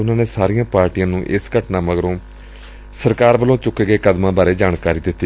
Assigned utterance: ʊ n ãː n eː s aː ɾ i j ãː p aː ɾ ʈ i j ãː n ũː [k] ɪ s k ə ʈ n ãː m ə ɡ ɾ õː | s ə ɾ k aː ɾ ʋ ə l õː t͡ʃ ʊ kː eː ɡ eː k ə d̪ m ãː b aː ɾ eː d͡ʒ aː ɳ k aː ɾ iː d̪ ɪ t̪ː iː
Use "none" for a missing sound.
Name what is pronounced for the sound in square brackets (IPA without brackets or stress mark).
ʔ